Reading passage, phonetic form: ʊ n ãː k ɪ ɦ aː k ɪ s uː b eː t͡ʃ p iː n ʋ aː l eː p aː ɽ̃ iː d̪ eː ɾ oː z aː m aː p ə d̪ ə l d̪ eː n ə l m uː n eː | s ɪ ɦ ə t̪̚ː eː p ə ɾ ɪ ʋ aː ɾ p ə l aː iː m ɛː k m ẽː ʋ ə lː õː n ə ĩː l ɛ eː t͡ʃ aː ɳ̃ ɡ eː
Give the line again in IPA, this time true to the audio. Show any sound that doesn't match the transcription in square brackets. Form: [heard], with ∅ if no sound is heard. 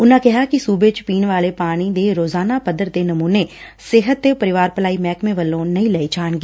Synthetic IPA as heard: ʊ n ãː k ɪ ɦ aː k ɪ s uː b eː t͡ʃ p iː n ʋ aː l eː p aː ɽ̃ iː d̪ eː ɾ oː z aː [n] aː p ə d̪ ə [ɾ] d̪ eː n ə [∅] m uː n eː | s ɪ ɦ ə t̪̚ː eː p ə ɾ ɪ ʋ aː ɾ p ə l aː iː m ɛː k m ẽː ʋ ə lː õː n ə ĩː l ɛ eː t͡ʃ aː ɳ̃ ɡ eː